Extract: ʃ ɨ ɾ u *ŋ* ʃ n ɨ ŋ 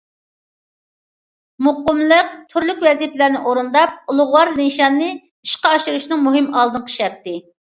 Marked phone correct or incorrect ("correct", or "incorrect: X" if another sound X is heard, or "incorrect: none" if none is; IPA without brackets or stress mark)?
incorrect: none